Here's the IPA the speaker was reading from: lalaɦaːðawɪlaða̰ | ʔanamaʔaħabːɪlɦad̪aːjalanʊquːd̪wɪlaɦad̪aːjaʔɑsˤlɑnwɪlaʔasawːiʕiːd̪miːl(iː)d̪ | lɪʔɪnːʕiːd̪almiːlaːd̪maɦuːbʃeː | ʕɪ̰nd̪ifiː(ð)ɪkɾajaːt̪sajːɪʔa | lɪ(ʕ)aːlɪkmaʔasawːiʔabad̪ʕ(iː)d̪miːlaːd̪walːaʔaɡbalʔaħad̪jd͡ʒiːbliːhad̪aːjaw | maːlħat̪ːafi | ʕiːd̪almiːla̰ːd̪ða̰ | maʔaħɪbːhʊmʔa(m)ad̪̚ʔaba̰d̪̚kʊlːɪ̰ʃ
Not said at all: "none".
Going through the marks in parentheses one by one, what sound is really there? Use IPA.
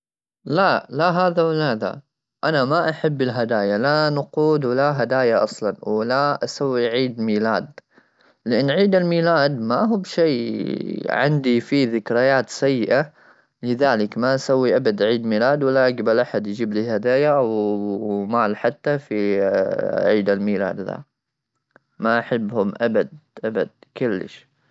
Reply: aː, ð, ð, iː, b

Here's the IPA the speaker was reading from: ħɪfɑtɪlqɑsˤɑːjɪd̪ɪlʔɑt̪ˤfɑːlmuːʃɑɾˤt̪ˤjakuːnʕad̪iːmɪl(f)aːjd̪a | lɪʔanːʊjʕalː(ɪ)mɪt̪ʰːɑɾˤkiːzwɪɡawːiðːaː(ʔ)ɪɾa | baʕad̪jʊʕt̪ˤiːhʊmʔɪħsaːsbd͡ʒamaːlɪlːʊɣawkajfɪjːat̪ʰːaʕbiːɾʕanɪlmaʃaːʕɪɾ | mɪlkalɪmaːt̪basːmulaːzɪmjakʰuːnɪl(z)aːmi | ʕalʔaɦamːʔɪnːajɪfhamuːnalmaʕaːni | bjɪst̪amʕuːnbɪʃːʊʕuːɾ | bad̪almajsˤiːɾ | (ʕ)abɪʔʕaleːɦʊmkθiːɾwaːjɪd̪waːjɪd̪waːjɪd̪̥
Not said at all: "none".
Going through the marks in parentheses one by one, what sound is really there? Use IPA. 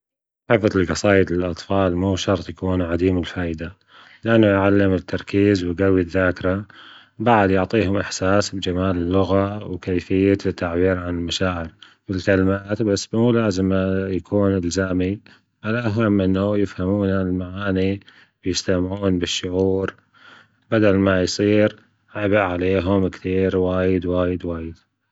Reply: f, ɪ, k, z, ʕ

